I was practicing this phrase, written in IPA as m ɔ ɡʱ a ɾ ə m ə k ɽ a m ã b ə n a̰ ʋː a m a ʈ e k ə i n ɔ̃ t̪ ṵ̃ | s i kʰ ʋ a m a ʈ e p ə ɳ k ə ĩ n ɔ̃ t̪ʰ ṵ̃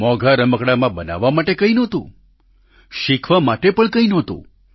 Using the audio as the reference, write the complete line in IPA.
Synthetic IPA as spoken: m ɔ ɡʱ a ɾ ə m ə k ɽ a m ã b ə n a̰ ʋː a m a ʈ e k ə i n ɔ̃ t̪ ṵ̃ | ʃ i kʰ ʋ a m a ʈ e p ə ɳ k ə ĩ n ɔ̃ t̪ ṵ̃